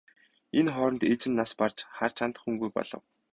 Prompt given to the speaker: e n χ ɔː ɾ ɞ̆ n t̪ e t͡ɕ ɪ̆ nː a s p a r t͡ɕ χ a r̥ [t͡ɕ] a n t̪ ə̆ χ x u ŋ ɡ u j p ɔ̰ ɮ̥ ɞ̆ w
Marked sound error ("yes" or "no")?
yes